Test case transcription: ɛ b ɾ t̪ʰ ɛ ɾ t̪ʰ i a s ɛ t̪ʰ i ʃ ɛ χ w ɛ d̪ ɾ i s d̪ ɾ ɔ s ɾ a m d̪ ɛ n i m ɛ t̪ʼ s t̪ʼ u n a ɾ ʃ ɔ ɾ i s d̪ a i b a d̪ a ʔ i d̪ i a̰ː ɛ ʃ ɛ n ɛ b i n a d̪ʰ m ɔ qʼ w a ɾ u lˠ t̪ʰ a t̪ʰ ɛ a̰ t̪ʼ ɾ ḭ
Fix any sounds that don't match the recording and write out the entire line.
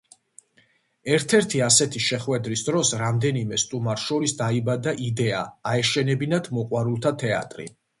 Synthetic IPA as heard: ɛ ɾ t̪ʰ ɛ ɾ t̪ʰ i a s ɛ t̪ʰ i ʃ ɛ χ w ɛ d̪ ɾ i s d̪ ɾ ɔ s ɾ a m d̪ ɛ n i m ɛ s t̪ʼ u m a ɾ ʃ ɔ ɾ i s d̪ a i b a d̪ a ʔ i d̪ ɛ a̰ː ɛ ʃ ɛ n ɛ b i n a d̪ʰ m ɔ qʼ w a ɾ u lˠ t̪ʰ a t̪ʰ ɛ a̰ t̪ʼ ɾ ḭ